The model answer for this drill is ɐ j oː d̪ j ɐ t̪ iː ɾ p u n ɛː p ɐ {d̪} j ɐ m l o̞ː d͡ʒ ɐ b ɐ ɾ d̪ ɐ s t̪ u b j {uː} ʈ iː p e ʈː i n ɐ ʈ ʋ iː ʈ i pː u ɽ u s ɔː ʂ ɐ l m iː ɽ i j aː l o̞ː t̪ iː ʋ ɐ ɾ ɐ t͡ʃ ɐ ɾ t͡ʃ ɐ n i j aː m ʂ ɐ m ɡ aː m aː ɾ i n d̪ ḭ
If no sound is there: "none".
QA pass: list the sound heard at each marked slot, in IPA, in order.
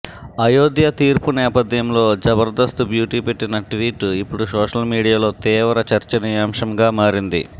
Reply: d̪, uː

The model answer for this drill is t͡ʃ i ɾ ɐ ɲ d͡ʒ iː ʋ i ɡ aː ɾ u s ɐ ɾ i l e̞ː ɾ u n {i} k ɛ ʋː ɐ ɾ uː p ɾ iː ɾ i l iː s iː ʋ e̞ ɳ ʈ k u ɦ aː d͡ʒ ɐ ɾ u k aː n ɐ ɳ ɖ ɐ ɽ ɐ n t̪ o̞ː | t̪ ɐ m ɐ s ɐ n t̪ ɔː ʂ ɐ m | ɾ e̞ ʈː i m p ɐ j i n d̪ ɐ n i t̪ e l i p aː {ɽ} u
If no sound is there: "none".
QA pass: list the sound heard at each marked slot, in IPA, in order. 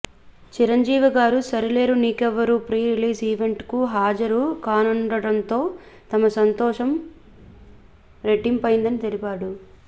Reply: iː, ɽ

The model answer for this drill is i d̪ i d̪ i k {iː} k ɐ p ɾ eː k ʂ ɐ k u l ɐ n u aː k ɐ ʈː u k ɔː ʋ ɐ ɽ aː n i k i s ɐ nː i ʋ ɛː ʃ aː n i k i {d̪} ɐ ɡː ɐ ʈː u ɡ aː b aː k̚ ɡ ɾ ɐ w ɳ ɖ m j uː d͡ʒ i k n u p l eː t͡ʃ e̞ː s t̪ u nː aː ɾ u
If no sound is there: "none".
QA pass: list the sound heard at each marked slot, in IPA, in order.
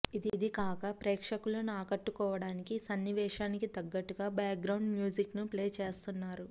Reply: aː, t̪

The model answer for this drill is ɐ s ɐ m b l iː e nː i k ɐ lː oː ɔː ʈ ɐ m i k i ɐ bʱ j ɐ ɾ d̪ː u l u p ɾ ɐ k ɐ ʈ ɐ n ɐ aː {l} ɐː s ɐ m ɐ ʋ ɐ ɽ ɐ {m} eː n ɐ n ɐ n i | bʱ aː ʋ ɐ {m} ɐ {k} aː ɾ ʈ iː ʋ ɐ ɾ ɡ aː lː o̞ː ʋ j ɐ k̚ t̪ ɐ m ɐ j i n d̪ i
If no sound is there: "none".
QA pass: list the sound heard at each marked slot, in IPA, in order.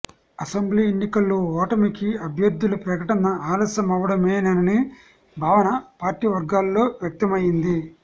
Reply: l, m, n, p

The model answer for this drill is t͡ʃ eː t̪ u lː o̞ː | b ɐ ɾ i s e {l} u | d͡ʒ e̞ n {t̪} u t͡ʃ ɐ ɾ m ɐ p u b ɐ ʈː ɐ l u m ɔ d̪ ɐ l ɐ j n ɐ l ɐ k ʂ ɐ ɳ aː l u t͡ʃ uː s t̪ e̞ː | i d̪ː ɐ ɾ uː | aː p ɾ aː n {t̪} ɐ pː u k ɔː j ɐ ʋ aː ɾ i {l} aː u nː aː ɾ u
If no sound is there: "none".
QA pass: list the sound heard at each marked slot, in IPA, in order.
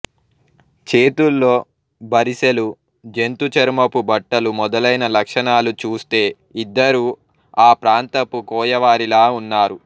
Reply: l, t̪, t̪, l

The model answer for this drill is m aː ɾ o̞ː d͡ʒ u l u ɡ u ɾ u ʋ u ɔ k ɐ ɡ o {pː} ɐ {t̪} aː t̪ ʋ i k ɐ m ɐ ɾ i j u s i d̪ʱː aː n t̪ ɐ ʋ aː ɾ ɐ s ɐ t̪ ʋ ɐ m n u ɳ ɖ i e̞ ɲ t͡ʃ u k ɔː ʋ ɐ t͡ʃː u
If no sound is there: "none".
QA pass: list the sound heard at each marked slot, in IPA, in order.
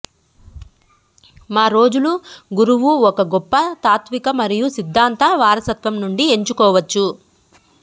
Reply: pː, t̪

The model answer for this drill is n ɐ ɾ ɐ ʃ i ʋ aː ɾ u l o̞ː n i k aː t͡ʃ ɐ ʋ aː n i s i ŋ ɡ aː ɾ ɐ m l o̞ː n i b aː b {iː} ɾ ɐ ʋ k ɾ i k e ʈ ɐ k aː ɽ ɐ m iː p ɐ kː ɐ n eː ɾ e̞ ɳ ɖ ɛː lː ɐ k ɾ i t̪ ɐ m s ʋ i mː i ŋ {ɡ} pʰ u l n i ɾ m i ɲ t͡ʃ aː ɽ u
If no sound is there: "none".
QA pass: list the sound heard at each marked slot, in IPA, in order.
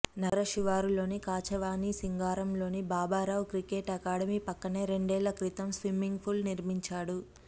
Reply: aː, ɡ

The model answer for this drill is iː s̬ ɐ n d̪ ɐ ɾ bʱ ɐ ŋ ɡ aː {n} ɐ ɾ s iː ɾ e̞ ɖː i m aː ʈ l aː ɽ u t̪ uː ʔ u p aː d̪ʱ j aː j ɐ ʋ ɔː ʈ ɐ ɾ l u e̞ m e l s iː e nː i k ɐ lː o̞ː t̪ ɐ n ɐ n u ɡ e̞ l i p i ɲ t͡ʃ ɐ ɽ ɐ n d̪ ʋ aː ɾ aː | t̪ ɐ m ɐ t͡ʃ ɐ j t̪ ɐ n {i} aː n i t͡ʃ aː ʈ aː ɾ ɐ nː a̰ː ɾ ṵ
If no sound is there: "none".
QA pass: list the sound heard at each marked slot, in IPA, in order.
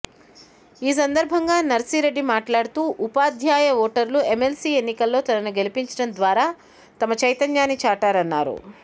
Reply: n, j

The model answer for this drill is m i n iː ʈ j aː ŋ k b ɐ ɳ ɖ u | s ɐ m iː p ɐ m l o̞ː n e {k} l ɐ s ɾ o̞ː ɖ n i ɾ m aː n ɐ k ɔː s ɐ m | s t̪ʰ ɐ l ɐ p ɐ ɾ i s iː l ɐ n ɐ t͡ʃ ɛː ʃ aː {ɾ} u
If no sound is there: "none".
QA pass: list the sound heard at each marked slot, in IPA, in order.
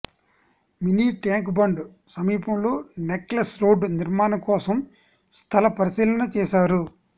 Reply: k, ɾ

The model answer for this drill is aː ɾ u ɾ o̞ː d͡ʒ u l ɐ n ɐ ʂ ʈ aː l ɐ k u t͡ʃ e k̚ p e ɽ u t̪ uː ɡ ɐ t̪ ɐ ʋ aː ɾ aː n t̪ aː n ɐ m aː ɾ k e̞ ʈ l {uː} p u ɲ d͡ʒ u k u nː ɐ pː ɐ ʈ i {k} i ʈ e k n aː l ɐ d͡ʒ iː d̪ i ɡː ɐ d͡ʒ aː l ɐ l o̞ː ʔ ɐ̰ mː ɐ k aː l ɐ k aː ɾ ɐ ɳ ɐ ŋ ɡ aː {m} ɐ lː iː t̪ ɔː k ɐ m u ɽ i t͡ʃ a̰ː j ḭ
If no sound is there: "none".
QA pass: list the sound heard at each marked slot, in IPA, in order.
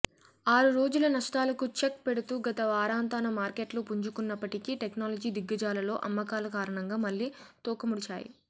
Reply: u, k, m

